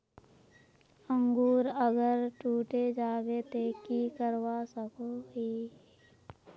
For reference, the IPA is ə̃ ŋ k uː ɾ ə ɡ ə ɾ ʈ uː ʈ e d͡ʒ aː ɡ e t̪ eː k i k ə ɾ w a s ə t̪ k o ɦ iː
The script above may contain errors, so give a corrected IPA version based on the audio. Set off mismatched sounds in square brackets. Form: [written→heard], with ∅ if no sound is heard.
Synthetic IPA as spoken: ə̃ ŋ [k→ɡ] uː ɾ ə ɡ ə ɾ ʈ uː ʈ e d͡ʒ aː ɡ e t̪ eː k i k ə ɾ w a s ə [t̪→∅] k o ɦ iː

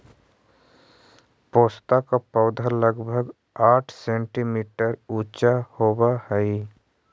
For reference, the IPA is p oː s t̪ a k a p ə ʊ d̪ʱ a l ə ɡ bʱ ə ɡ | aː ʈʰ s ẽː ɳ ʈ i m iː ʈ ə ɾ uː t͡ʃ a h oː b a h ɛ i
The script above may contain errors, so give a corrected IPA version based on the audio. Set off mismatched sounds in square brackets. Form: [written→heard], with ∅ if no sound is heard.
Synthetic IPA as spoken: p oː s t̪ a k a p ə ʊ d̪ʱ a l ə ɡ bʱ ə ɡ | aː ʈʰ s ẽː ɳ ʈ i m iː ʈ ə ɾ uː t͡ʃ a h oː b a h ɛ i

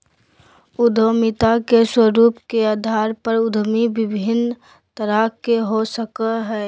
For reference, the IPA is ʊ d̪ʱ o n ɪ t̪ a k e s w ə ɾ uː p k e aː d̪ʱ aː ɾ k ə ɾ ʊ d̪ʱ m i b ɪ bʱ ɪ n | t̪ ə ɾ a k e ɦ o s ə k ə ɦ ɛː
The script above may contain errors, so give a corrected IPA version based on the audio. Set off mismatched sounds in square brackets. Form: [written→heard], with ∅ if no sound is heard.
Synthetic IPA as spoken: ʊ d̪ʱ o [n→m] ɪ t̪ a k e s w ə ɾ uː p k e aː d̪ʱ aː ɾ [k→p] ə ɾ ʊ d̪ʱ m i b ɪ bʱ ɪ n | t̪ ə ɾ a k e ɦ o s ə k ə ɦ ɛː

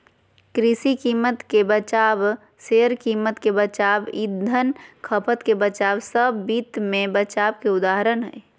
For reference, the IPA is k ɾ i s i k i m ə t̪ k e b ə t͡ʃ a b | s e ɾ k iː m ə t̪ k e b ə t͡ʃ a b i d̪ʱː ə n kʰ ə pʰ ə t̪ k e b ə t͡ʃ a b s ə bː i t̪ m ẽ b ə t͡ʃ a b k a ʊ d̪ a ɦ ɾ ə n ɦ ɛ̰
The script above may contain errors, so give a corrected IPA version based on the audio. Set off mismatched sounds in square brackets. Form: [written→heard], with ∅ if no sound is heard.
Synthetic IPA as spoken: k ɾ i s i k i m ə t̪ k e b ə t͡ʃ a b | s e ɾ k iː m ə t̪ k e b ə t͡ʃ a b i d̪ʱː ə n kʰ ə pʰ ə t̪ k e b ə t͡ʃ a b s ə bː i t̪ m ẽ b ə t͡ʃ a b k [a→e] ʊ d̪ a ɦ ɾ ə n ɦ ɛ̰

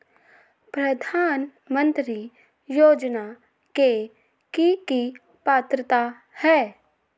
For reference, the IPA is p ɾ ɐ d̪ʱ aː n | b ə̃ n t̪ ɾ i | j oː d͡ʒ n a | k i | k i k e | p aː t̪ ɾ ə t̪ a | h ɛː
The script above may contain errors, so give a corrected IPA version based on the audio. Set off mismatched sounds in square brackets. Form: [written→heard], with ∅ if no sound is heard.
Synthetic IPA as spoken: p ɾ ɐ d̪ʱ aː n | [b→m] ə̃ n t̪ ɾ i | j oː d͡ʒ n a | k [i→e] | k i k [e→i] | p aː t̪ ɾ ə t̪ a | h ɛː

